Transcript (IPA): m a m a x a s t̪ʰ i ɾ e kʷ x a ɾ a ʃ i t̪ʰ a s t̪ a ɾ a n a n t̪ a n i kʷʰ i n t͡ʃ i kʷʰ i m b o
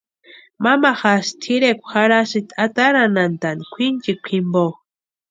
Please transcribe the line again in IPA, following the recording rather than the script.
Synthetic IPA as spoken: m a m a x a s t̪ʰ i ɾ e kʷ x a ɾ a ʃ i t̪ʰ a t̪ a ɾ a n a n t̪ a n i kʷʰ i n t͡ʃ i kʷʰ i m b o